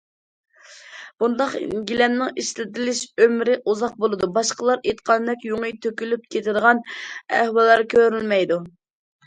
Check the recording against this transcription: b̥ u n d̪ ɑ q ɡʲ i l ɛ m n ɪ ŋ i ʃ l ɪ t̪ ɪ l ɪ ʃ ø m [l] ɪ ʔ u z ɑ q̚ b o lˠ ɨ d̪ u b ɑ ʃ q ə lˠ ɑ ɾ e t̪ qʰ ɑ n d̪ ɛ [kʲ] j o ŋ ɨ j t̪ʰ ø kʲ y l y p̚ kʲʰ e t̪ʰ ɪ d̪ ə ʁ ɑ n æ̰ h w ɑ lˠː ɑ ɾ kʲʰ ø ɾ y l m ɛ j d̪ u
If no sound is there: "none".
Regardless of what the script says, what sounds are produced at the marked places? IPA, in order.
ɾ, kʲ

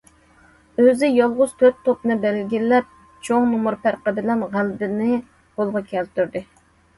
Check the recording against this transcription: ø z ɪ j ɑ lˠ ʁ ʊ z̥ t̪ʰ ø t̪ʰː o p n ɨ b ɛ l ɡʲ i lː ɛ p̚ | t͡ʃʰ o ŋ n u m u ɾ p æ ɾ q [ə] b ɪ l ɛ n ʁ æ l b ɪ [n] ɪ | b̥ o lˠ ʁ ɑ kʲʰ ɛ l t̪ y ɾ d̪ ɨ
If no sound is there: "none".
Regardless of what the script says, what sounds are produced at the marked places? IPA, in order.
ə, n

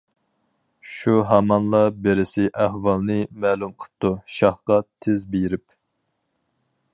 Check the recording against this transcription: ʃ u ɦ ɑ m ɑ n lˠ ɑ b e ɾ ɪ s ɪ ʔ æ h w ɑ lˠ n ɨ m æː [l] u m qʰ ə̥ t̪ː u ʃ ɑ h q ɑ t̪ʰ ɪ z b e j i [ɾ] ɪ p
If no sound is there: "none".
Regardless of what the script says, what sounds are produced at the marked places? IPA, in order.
l, ɾ

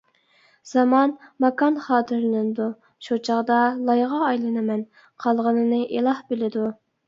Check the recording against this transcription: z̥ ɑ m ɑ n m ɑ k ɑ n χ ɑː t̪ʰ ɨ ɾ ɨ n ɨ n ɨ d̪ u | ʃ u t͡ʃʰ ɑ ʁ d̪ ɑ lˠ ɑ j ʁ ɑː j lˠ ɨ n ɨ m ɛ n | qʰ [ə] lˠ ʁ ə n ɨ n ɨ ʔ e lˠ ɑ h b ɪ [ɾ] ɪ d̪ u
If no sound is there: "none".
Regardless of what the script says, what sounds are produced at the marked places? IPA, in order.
ɑ, l

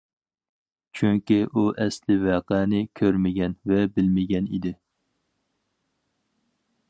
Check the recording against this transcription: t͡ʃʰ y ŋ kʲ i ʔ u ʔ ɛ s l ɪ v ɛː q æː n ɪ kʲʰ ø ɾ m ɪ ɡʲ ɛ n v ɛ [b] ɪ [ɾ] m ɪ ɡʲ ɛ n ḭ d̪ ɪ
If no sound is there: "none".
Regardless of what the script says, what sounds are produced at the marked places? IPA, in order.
b, l

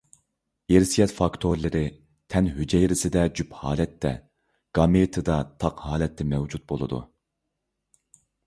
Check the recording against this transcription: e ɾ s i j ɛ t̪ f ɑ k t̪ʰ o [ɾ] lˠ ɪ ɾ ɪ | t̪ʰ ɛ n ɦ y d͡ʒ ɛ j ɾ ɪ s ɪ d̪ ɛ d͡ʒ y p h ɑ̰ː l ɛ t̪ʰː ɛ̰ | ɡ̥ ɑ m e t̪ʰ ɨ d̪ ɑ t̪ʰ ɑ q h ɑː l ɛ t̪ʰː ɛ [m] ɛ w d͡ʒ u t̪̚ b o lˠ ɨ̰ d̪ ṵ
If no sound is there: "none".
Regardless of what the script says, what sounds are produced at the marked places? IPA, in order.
ɾ, m

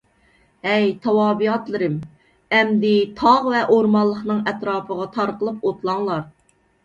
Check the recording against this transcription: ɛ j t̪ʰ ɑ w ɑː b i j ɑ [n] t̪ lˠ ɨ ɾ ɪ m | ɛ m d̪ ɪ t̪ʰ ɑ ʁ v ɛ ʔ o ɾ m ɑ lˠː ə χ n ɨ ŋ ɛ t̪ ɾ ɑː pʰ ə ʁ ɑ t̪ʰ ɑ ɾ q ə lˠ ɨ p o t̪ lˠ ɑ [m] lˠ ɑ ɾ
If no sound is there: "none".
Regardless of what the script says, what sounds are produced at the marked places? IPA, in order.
none, ŋ

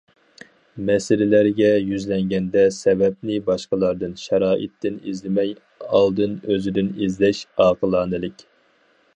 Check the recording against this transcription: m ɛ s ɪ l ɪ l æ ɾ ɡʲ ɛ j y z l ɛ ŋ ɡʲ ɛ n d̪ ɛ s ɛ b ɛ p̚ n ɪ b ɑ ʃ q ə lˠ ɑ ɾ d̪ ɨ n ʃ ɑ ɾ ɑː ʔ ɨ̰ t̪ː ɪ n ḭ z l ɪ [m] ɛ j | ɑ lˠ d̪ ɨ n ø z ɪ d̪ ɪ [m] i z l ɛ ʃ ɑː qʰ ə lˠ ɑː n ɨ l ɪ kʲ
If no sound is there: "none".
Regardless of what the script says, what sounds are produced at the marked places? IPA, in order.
m, n

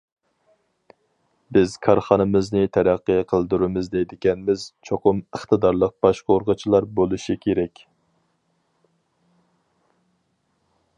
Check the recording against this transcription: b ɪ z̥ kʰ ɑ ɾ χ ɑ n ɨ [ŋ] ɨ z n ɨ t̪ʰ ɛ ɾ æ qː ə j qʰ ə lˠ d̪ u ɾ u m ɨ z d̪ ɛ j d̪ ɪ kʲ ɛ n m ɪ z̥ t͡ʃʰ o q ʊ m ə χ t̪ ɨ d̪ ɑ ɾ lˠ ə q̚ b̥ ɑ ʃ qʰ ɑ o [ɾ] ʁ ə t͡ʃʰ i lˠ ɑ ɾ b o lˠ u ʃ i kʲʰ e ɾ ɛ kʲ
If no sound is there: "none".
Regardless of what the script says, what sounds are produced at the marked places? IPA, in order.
m, ɾ

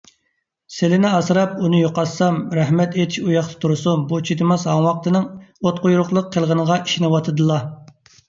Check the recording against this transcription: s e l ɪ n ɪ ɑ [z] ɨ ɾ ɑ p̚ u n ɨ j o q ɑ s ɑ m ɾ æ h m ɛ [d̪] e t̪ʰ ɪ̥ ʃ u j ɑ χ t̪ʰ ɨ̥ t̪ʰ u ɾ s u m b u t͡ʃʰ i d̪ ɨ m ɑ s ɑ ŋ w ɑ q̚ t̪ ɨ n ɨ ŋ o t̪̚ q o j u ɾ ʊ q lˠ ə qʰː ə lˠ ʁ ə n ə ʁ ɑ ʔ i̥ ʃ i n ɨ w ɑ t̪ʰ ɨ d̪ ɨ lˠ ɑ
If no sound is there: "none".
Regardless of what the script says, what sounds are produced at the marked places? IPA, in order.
s, t̪

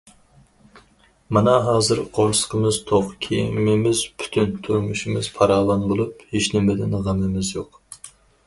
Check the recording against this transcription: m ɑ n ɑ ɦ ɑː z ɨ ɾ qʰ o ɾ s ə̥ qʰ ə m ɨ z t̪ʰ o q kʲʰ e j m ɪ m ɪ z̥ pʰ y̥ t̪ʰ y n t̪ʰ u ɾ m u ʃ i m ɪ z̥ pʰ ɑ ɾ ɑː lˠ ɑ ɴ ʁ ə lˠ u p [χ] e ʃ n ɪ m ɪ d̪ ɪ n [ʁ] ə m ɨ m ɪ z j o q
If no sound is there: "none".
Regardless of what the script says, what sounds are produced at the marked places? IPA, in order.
h, ʁ

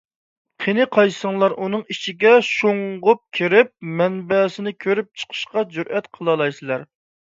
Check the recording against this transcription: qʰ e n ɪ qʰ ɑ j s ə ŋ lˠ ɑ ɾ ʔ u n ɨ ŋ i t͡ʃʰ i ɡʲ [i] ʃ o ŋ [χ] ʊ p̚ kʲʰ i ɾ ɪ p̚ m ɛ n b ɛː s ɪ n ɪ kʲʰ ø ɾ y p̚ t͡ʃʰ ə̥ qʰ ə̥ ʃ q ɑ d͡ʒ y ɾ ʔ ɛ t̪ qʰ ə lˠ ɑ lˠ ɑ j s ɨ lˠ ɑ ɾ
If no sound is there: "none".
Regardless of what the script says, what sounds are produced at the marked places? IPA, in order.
ɛ, ʁ

